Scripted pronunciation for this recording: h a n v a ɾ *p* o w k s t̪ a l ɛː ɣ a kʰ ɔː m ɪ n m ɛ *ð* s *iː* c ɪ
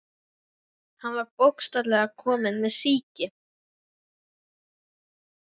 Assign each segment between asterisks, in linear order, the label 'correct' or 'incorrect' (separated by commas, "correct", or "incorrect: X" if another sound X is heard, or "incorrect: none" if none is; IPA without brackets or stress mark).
correct, correct, correct